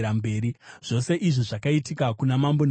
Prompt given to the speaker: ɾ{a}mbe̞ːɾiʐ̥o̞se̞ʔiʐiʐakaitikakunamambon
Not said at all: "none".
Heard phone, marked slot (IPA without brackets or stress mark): a